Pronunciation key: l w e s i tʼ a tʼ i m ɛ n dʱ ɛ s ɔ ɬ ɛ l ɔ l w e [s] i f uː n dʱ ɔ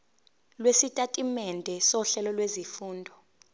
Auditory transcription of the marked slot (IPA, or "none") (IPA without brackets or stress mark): z